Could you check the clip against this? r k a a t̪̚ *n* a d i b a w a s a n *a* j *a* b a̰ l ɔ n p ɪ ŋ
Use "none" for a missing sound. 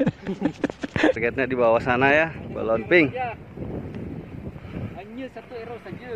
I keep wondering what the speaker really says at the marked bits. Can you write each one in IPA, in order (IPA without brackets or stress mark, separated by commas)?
ɲ, a, a